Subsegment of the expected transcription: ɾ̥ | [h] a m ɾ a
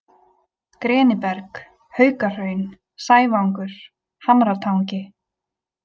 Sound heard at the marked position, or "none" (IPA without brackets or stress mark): h